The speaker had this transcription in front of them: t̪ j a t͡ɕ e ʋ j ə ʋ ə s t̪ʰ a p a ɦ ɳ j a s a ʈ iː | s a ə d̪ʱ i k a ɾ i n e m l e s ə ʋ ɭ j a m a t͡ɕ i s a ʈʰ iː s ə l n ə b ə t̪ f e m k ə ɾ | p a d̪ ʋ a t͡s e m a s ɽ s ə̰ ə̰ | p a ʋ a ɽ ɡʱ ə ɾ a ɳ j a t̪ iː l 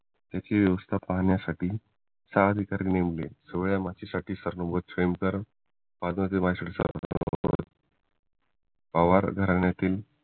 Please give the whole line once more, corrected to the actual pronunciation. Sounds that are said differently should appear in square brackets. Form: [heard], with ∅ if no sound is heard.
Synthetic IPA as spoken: t̪ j a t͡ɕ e ʋ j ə ʋ ə s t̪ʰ a p a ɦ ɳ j a s a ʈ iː | s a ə d̪ʱ i k a ɾ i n e m l e s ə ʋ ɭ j a m a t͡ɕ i s a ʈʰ iː s ə [ɾ] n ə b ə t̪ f e m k ə ɾ | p a d̪ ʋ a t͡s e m a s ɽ s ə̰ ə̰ | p a ʋ a [ɾ] ɡʱ ə ɾ a ɳ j a t̪ iː l